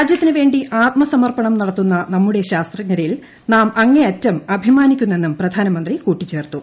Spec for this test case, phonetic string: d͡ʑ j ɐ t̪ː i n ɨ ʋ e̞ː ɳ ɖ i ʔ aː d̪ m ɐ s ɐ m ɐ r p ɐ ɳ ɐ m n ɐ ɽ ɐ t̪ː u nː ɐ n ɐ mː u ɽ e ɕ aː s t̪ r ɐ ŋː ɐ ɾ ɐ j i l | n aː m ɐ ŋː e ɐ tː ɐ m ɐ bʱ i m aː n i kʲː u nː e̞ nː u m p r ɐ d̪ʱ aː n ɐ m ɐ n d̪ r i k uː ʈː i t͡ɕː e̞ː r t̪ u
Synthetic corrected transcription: d͡ʑ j ɐ t̪ː i n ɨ ʋ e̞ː ɳ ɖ i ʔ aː t̪ m ɐ s ɐ m ɐ r p ɐ ɳ ɐ m n ɐ ɽ ɐ t̪ː u nː ɐ n ɐ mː u ɽ e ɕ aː s t̪ r ɐ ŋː ɐ ɾ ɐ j i l | n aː m ɐ ŋː e ɐ tː ɐ m ɐ bʱ i m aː n i kʲː u nː e̞ nː u m p r ɐ d̪ʱ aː n ɐ m ɐ n d̪ r i k uː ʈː i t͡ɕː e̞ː r t̪ u